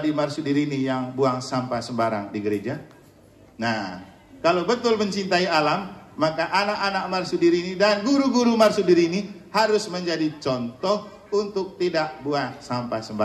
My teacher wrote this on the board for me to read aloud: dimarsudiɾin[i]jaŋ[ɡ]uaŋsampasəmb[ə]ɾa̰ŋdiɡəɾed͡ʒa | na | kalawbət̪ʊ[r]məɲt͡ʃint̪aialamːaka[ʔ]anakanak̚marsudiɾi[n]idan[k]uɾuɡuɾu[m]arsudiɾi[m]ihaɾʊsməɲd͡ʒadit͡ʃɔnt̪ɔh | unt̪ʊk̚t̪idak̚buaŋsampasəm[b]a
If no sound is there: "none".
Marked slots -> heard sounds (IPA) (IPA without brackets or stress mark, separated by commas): i, b, a, l, ʔ, n, ɡ, m, n, b